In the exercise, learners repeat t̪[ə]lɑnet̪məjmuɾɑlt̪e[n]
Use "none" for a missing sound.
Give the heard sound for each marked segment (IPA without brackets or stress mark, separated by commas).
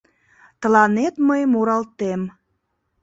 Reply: ə, m